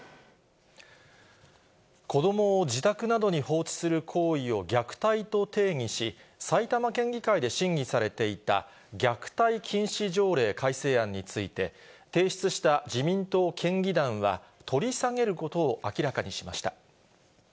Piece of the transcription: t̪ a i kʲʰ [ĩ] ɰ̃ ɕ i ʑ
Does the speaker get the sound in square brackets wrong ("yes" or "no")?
no